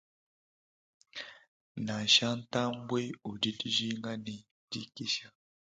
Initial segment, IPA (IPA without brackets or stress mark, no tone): n